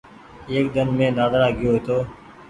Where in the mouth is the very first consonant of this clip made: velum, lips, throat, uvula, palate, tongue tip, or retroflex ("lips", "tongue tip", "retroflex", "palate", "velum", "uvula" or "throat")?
velum